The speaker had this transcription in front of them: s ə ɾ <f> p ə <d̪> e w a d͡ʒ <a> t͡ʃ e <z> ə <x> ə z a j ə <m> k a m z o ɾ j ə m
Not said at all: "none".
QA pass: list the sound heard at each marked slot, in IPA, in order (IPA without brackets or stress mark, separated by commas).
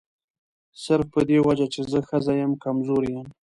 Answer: f, d̪, a, z, x, m